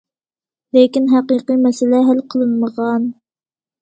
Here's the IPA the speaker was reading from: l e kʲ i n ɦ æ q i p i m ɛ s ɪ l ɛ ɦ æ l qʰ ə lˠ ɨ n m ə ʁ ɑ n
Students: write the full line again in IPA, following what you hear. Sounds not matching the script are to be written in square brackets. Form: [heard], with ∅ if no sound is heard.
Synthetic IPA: l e kʲ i n ɦ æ q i [q] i m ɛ s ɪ l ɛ ɦ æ l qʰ ə lˠ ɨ n m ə ʁ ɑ n